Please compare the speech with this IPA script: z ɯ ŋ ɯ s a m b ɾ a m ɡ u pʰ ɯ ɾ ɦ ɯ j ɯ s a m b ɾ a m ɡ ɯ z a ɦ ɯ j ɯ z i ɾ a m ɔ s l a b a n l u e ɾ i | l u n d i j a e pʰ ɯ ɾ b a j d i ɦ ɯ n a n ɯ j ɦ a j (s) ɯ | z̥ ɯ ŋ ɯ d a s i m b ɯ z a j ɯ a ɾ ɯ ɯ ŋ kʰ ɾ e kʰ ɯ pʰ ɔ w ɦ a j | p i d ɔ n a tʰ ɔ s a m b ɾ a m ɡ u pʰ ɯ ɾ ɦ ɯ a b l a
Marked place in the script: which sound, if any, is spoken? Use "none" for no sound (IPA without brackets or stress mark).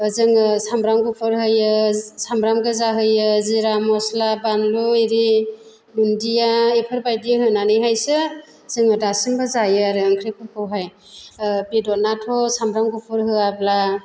s